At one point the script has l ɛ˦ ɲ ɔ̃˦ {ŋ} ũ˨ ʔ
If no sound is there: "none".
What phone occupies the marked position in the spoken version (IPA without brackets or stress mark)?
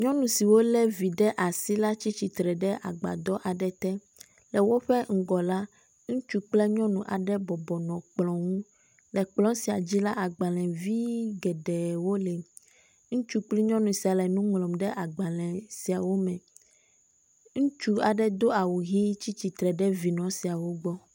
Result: n